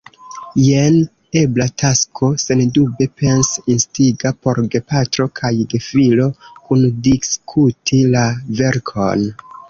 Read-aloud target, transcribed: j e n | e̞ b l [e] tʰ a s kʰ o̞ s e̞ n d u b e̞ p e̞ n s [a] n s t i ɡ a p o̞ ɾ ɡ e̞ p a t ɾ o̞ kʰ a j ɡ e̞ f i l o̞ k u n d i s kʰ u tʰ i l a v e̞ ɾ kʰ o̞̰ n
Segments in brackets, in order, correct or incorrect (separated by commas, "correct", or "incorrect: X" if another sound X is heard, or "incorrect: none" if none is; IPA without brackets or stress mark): incorrect: a, incorrect: i